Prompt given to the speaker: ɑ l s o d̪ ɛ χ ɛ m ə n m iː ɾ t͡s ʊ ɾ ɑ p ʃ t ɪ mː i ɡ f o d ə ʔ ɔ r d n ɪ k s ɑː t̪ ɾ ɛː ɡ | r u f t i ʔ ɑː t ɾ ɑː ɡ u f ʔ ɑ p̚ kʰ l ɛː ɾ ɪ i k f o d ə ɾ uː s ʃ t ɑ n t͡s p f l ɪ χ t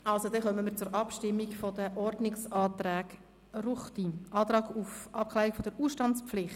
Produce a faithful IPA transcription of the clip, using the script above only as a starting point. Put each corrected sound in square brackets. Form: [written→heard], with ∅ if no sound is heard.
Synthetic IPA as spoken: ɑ l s o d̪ ɛ χ [ɛ→œ] m ə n m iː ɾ t͡s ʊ ɾ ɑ p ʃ t ɪ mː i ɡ f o d ə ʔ ɔ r d n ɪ k s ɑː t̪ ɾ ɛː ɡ | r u [f→χ] t i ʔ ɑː t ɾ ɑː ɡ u f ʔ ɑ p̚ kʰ l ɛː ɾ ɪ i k f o d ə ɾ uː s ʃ t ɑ n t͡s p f l ɪ χ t